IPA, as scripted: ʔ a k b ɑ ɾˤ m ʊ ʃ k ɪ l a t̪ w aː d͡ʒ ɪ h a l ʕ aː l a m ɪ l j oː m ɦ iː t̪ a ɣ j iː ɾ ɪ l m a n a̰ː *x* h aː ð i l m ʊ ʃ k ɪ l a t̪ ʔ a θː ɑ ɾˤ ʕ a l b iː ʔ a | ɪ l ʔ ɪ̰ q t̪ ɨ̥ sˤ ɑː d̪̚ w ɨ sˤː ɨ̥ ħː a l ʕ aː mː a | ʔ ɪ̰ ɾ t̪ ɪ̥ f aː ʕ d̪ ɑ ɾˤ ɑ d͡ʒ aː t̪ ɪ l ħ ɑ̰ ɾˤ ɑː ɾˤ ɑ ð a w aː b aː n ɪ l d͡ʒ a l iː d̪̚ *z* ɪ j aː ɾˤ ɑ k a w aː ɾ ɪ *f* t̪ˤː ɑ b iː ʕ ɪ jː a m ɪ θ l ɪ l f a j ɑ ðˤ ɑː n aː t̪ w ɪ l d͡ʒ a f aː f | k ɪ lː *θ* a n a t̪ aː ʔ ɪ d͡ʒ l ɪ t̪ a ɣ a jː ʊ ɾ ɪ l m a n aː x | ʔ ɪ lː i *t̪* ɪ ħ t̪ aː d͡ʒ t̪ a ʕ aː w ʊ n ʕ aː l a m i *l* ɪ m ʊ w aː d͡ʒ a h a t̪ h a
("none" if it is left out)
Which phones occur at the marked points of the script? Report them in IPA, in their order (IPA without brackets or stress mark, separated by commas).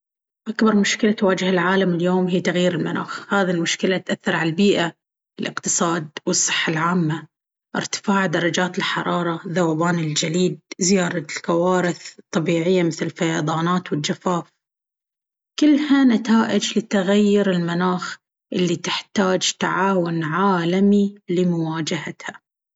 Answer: x, z, θ, h, t̪, l